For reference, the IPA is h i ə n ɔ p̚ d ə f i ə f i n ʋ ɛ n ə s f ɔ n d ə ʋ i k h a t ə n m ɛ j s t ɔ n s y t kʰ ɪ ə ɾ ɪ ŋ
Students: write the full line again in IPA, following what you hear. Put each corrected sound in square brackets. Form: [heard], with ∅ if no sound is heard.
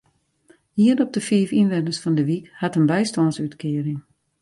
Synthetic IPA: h i ə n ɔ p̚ d ə f i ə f i n ʋ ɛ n ə s f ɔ n d ə ʋ i k h a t ə n [b] ɛ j s t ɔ n s y t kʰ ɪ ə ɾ ɪ ŋ